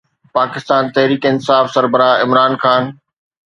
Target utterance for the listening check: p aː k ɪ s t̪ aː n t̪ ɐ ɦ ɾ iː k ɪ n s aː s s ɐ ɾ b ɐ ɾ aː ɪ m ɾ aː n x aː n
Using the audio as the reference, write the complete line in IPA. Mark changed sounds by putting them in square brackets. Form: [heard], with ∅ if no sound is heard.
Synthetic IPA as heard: p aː k ɪ s t̪ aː n t̪ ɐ ɦ ɾ iː k ɪ n s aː [f] s ɐ ɾ b [ə] ɾ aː ɪ m ɾ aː n x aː n